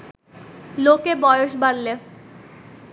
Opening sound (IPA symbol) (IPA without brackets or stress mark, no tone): l